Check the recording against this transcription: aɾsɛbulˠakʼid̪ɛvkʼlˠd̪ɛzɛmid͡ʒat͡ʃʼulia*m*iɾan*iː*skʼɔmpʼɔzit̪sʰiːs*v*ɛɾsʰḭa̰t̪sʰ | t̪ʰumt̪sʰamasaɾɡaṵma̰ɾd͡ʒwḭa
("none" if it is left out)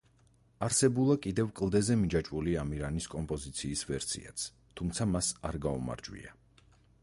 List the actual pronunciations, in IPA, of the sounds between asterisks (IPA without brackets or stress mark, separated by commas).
m, i, v